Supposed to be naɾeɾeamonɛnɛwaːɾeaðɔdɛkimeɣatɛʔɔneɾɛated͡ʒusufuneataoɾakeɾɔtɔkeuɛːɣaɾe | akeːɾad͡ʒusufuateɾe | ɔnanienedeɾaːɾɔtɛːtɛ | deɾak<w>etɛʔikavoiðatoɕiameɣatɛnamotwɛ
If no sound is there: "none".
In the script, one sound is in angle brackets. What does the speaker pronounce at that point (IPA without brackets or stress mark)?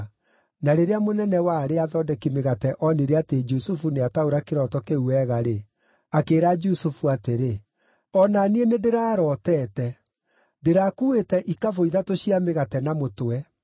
u